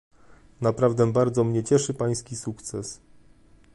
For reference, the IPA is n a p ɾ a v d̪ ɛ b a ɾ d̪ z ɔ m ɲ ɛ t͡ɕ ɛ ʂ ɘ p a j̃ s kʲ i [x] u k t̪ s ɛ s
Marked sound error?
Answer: yes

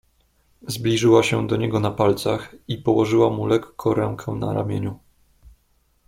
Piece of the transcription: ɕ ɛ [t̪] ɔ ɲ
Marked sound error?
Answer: yes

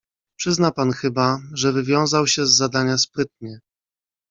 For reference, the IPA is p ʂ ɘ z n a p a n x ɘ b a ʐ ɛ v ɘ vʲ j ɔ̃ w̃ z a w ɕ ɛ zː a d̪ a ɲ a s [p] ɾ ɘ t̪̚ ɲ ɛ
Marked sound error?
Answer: no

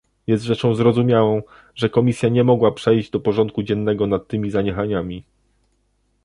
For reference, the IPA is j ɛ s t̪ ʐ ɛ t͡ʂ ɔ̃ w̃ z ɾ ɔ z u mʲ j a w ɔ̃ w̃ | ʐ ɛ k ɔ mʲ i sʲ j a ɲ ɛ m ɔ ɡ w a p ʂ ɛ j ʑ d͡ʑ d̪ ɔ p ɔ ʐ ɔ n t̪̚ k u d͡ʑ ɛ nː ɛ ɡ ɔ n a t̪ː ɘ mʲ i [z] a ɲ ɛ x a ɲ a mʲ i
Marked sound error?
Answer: no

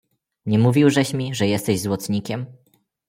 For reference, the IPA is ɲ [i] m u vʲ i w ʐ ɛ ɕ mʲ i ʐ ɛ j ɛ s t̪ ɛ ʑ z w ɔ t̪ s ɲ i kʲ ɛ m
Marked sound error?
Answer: yes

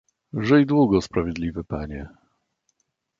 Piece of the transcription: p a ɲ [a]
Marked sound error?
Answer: yes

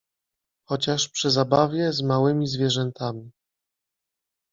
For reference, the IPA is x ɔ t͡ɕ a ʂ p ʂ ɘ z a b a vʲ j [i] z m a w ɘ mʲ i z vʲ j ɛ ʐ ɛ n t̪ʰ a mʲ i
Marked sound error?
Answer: yes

